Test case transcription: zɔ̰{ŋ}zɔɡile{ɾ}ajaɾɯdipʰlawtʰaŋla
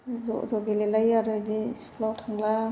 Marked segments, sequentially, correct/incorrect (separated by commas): incorrect, incorrect